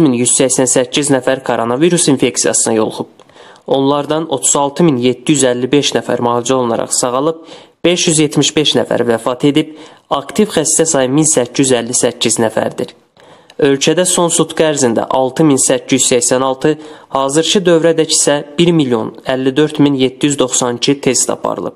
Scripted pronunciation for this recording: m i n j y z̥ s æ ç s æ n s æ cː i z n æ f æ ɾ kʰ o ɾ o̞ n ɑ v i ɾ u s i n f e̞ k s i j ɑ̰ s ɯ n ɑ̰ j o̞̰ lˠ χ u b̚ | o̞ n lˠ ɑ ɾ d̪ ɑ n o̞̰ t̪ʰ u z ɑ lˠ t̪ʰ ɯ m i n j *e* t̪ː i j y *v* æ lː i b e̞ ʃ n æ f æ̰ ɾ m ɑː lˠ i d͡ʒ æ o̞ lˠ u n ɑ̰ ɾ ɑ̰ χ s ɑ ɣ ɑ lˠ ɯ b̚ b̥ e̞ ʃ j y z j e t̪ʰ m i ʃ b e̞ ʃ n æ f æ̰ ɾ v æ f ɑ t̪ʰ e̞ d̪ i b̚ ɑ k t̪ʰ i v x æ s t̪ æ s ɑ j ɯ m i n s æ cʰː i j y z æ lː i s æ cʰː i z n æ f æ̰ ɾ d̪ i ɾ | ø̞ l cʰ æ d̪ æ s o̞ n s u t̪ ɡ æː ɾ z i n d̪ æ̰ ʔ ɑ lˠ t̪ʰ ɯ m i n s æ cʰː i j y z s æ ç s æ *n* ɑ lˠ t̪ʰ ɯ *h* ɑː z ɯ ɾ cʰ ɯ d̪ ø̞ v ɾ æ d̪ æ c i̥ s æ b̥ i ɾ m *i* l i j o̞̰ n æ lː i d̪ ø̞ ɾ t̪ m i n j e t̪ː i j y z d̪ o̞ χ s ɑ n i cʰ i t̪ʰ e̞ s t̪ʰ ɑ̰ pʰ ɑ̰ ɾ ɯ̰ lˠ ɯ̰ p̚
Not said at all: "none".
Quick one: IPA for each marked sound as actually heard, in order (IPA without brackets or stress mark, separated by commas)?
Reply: e, z, n, h, i